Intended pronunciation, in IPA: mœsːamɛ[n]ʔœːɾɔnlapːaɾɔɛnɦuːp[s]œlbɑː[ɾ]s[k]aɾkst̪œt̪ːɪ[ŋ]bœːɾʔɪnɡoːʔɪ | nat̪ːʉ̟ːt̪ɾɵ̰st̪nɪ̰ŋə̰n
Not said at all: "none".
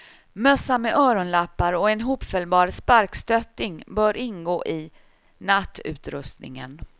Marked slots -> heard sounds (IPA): none, f, ɾ, p, ŋ

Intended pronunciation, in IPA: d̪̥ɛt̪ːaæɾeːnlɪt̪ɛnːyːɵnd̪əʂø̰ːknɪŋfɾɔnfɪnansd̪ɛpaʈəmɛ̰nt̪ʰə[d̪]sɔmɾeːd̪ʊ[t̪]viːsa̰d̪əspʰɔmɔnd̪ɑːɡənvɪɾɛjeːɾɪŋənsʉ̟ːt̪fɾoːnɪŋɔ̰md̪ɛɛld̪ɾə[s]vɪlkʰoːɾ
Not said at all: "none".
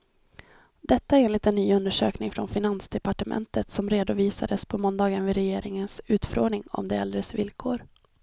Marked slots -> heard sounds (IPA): t̪, none, s

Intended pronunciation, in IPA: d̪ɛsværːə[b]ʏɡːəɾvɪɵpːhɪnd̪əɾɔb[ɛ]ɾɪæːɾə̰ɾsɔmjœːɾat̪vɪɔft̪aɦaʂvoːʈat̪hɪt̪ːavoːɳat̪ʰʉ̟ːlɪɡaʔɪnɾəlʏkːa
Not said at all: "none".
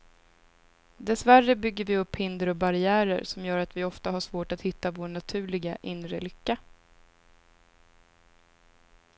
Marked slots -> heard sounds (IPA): b, a

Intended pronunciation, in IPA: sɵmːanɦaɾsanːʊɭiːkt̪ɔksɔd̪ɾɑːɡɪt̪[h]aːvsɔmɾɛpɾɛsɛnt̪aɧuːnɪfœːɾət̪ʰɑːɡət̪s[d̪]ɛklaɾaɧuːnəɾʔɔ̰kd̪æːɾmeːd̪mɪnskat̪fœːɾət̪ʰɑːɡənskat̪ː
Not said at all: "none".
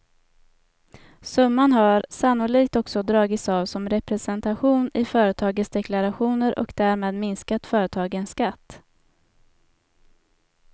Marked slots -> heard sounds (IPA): s, d̪

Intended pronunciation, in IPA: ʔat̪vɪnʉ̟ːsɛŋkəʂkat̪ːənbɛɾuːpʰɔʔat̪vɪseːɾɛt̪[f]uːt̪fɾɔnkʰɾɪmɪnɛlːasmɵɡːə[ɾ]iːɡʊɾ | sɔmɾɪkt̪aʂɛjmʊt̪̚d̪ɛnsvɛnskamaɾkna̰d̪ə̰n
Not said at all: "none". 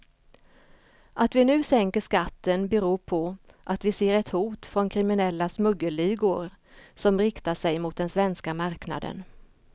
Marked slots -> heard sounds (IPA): h, l

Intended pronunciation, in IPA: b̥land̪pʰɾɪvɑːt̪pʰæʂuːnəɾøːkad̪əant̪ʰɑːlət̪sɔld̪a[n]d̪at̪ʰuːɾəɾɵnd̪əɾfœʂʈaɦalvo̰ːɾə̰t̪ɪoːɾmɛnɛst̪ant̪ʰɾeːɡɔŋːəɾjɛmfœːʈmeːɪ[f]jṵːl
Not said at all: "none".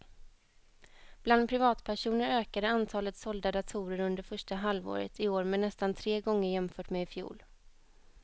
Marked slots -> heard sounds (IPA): none, f

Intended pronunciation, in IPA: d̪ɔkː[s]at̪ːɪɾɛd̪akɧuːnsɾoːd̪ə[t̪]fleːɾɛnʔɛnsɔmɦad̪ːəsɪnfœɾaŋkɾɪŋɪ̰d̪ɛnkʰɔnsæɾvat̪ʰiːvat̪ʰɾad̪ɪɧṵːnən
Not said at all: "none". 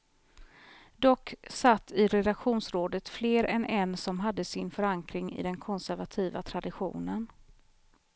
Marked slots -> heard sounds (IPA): s, t̪

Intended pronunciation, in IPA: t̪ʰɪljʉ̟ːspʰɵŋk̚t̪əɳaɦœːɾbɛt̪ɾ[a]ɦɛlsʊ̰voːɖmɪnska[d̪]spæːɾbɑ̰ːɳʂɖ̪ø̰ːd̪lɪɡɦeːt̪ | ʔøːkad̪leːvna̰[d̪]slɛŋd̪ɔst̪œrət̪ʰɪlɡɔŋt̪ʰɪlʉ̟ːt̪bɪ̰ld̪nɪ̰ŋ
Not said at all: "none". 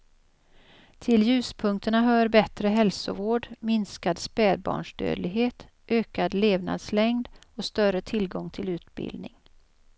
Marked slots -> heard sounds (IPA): ə, d̪, d̪

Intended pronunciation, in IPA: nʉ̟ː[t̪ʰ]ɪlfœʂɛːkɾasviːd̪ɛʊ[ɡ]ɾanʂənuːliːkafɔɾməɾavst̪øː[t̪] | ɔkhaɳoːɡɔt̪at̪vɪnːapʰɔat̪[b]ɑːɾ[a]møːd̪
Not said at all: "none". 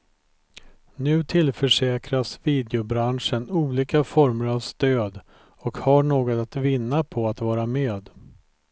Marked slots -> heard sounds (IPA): t̪ʰ, b, d̪, v, a

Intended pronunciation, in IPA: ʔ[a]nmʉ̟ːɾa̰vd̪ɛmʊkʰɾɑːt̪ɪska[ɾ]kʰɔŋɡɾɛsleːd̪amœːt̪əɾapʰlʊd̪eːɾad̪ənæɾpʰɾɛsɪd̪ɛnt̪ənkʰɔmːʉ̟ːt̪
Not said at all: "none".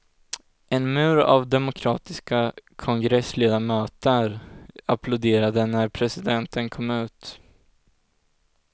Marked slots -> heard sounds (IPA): ɛ, none

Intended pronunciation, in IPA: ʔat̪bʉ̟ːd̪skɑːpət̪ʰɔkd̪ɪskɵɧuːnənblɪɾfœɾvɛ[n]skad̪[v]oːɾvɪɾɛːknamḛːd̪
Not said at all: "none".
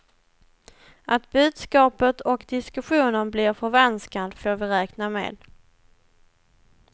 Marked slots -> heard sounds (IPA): n, f

